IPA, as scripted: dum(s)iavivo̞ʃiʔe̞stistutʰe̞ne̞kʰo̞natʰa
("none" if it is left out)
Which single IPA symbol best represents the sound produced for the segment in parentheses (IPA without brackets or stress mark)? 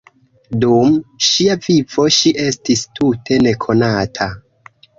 ʃ